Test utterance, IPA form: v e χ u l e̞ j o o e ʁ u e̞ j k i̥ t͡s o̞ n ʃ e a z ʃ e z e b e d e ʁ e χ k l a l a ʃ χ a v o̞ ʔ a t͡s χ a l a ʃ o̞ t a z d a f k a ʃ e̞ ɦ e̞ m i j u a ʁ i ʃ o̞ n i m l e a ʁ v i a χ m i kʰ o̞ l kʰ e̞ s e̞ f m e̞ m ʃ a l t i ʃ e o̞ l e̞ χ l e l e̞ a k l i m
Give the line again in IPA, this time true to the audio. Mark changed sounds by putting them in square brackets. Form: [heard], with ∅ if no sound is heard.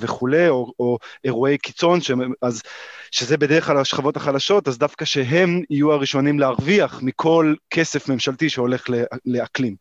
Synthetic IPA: v e χ u l e̞ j o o e ʁ u e̞ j k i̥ t͡s o̞ n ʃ e a z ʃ e z e b e d e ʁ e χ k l a l a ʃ χ a v o̞ [t] a [∅] χ a l a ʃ o̞ t a z d a f k a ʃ e̞ ɦ e̞ m i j u a ʁ i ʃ o̞ n i m l e a ʁ v i a χ m i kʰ o̞ l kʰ e̞ s e̞ f m e̞ m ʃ a l t i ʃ e o̞ l e̞ χ l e l e̞ a k l i m